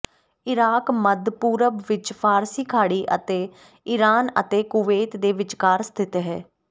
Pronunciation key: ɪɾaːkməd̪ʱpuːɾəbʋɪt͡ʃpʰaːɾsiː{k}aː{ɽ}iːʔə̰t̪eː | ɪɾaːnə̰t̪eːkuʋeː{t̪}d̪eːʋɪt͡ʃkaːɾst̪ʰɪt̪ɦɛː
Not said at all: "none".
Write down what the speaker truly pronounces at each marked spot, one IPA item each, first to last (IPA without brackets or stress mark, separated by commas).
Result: kʰ, ɽ, t̪